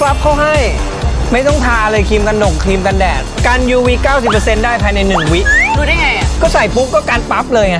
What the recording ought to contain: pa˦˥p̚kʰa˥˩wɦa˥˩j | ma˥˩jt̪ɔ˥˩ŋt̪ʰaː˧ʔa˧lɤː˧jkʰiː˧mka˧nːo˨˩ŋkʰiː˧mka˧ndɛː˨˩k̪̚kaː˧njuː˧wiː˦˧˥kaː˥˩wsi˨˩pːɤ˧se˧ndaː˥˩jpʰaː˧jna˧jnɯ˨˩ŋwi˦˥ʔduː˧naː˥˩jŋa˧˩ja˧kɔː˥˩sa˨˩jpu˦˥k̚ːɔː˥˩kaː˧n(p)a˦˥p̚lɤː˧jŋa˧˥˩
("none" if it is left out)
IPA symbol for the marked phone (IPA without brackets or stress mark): p